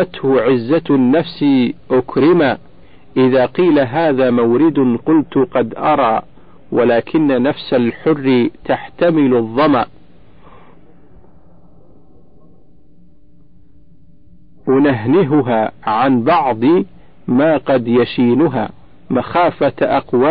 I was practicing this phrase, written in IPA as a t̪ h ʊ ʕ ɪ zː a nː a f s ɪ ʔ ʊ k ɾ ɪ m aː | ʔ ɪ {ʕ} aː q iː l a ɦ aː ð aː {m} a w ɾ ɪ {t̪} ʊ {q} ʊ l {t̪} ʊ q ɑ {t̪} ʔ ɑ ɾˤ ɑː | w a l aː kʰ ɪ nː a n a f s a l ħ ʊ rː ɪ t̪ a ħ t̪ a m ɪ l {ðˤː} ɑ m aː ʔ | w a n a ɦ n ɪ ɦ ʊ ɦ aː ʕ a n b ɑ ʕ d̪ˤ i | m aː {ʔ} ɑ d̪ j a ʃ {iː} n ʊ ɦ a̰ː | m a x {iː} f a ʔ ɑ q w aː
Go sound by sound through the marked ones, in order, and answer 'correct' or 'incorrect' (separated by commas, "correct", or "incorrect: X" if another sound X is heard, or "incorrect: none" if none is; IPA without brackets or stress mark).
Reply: incorrect: ð, correct, incorrect: d̪, correct, correct, incorrect: d̪, correct, incorrect: q, correct, incorrect: aː